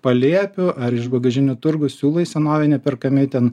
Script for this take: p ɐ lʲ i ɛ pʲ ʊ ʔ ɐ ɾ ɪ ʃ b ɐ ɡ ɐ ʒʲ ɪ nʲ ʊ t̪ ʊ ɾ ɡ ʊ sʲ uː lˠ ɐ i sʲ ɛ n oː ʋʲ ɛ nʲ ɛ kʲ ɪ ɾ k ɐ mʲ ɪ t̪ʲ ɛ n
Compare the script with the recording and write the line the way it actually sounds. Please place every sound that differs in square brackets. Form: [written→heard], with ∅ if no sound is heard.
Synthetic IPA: p ɐ lʲ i ɛ pʲ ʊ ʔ ɐ ɾ ɪ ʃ b ɐ ɡ ɐ ʒʲ ɪ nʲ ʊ t̪ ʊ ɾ ɡ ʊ sʲ uː lˠ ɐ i sʲ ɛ n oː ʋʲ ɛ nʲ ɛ [kʲ→pʲ] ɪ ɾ k ɐ mʲ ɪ t̪ʲ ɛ n